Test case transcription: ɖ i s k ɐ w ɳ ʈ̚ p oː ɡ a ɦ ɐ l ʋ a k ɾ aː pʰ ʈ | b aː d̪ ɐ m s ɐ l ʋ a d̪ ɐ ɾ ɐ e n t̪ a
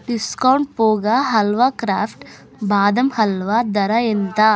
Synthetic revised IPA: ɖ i s k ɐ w ɳ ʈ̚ p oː ɡ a ɦ ɐ l ʋ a k ɾ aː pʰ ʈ | b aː d̪ ɐ m h ɐ l ʋ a d̪ ɐ ɾ ɐ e n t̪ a